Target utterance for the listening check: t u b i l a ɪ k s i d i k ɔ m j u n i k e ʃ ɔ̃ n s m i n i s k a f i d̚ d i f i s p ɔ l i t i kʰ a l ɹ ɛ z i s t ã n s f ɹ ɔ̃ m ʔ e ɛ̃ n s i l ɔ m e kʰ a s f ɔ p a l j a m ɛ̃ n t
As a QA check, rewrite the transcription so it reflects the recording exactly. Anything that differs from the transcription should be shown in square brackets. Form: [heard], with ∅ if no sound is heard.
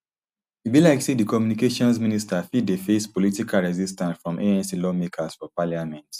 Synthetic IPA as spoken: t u b i l a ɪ k s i d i k ɔ m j u n i k e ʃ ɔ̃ n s m i n i s [t] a f i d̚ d [e] f [e] s p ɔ l i t i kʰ a l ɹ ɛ z i s t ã n s f ɹ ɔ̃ m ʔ e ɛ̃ n s i l ɔ m e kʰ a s f ɔ p a l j a m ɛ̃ n t